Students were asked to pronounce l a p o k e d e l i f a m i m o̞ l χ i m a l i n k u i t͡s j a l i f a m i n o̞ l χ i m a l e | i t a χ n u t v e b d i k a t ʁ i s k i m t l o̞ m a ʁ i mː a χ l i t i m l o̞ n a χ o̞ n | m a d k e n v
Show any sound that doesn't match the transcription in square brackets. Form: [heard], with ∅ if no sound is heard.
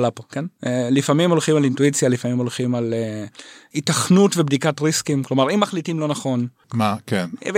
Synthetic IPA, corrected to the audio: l a p o k e [n] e l i f a m i m o̞ l χ i m a l i n [t] u i t͡s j a l i f a m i [m] o̞ l χ i m a l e | i t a χ n u t v e b d i k a t ʁ i s k i m [k] l o̞ m a ʁ i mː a χ l i t i m l o̞ n a χ o̞ n | m a [∅] k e n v